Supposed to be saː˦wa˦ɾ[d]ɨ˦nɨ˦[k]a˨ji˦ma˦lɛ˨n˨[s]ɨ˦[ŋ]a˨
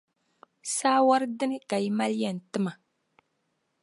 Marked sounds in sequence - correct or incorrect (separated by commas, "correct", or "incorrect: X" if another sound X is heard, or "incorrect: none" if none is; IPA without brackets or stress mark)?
correct, correct, incorrect: t, incorrect: m